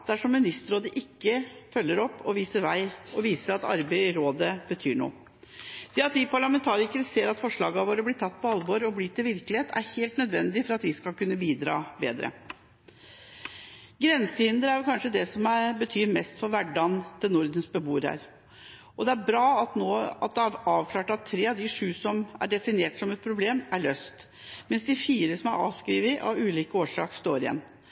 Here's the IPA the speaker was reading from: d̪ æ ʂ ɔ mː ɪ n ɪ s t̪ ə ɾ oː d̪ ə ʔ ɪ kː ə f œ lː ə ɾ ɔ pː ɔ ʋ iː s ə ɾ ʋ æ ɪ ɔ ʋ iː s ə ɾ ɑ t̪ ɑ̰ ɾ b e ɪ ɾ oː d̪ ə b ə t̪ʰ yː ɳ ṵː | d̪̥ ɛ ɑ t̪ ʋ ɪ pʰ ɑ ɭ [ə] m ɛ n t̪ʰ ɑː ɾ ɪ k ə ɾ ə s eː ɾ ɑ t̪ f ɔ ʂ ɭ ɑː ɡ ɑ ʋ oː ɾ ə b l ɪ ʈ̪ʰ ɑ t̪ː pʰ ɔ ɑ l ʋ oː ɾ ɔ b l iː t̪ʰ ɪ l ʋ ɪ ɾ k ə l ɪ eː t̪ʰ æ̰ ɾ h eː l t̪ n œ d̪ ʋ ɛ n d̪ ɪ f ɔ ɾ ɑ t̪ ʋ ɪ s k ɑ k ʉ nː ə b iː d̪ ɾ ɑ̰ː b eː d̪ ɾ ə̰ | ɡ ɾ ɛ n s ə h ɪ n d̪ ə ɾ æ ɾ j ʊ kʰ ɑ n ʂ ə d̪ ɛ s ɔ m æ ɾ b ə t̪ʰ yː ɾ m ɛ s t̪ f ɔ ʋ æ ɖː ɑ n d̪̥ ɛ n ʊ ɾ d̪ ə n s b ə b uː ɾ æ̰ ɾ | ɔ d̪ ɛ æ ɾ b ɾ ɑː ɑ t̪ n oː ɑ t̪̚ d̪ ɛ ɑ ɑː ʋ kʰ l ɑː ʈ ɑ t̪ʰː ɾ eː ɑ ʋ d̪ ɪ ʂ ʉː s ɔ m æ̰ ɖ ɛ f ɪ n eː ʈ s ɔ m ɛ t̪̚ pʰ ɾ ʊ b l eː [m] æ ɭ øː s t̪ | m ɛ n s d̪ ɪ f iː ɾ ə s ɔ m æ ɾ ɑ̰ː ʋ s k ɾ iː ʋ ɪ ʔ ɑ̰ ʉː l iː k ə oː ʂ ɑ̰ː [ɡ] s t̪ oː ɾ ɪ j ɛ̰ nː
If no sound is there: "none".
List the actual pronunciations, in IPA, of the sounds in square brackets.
ɑ, m, k

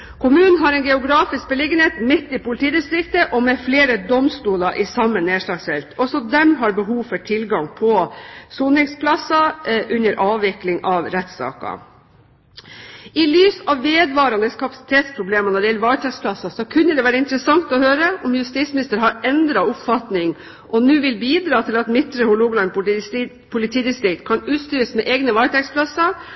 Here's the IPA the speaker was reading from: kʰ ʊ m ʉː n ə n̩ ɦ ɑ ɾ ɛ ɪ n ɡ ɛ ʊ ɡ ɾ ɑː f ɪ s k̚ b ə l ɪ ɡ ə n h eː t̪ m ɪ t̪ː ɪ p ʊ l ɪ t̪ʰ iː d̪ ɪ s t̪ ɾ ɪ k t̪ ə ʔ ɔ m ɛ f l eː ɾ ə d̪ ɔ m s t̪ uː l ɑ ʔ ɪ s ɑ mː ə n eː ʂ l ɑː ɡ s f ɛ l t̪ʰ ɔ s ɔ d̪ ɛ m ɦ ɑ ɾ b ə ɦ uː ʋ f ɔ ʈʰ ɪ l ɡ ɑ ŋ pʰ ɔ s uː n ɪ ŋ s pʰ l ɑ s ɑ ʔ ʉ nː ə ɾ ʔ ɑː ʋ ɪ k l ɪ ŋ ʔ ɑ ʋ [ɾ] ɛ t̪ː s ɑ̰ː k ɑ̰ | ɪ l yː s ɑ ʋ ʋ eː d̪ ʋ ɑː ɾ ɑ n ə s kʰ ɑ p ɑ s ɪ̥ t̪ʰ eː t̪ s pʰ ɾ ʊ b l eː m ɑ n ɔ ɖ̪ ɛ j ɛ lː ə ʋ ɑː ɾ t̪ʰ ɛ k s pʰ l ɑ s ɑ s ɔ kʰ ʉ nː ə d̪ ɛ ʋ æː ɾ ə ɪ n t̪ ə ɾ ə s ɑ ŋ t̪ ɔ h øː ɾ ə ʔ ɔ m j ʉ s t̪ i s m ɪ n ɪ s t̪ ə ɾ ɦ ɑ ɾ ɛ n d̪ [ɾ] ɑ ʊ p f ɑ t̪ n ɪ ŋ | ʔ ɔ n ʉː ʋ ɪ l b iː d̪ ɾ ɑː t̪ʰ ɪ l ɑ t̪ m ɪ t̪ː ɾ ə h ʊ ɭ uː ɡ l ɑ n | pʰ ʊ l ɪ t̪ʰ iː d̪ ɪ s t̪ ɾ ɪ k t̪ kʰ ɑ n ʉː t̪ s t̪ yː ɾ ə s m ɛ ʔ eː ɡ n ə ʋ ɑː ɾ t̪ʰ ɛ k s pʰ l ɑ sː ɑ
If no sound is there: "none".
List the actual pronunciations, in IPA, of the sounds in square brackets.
ɾ, ɾ

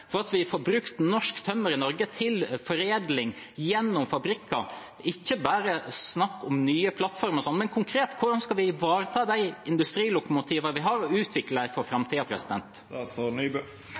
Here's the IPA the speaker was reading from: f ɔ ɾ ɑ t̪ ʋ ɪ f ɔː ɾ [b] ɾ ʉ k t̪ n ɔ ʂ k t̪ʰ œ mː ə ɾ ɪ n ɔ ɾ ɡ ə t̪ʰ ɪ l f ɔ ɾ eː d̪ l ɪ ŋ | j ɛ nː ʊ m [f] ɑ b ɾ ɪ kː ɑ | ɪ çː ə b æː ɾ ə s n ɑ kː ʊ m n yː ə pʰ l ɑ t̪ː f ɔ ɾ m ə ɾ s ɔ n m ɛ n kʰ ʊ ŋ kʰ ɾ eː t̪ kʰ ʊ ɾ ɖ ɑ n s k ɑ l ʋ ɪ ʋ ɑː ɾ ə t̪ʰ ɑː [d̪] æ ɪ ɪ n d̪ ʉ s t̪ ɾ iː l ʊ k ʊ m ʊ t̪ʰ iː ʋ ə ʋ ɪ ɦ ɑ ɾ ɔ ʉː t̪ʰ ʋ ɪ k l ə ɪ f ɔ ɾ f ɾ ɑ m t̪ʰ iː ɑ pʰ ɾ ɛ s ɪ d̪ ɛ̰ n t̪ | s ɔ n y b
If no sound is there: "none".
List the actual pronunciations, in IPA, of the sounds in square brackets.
b, f, d̪

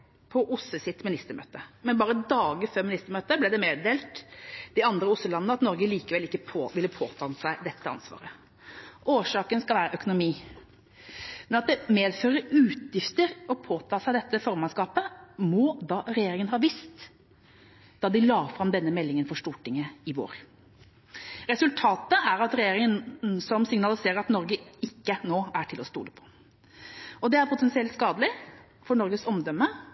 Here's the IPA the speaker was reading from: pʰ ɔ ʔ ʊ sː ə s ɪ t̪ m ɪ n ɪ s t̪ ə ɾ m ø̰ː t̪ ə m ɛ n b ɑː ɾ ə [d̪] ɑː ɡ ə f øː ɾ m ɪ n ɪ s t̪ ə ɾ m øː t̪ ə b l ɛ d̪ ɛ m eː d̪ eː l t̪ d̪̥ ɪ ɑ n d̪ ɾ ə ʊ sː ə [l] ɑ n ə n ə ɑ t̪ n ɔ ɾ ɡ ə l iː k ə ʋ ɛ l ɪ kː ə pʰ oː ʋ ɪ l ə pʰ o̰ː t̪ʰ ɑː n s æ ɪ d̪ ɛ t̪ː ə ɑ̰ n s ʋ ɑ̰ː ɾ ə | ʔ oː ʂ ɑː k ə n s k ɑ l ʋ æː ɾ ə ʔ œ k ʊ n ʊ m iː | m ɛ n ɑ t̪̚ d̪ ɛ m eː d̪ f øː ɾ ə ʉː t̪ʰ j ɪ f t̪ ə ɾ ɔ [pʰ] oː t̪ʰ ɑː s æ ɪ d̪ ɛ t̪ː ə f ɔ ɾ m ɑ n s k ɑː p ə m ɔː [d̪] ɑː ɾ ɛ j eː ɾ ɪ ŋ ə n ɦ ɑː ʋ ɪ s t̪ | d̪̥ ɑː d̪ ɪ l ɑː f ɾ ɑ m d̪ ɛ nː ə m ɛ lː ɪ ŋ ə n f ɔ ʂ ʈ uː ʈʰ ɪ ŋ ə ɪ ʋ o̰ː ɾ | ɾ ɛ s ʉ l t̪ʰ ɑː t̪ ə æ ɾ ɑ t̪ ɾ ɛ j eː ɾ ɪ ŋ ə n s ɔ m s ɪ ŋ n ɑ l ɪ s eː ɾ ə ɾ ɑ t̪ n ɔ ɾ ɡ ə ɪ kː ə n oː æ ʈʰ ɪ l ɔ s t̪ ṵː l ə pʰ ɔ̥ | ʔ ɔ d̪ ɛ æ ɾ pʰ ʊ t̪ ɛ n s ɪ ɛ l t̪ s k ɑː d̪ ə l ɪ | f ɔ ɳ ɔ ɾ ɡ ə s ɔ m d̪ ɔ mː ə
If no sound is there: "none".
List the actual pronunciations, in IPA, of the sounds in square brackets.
d̪, l, pʰ, d̪

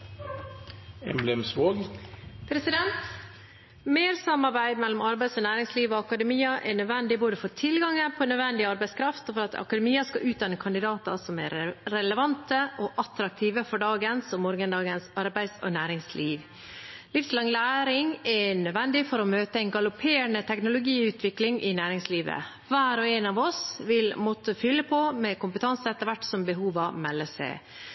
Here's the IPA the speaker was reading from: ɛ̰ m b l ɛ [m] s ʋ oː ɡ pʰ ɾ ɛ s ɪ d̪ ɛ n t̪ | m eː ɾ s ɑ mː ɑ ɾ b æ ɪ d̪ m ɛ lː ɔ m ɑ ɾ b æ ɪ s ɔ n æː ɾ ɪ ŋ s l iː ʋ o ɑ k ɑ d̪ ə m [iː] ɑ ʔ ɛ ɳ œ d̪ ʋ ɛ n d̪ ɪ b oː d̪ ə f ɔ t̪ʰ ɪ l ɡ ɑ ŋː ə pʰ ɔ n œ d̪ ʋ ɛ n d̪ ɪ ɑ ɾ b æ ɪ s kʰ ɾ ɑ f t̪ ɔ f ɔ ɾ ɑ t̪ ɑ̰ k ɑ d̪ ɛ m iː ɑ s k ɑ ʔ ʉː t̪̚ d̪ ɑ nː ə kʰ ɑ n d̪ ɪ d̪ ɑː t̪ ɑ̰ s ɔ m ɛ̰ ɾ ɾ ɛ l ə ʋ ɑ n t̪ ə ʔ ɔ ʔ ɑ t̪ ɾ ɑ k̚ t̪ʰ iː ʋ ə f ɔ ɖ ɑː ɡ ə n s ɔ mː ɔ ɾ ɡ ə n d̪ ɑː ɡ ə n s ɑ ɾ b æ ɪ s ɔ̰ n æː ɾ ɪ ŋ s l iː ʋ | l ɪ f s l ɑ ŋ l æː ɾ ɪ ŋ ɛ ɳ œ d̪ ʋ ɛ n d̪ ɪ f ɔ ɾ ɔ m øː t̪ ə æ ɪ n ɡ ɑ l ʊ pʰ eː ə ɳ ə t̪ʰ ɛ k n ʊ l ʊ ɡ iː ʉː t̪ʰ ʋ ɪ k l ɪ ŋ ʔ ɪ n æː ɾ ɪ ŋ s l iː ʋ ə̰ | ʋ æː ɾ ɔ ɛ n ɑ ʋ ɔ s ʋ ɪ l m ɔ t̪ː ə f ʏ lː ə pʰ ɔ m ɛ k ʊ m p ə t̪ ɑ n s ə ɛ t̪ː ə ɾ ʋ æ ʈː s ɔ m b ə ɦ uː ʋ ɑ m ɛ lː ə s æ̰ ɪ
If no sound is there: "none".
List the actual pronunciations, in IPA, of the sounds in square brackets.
m, iː

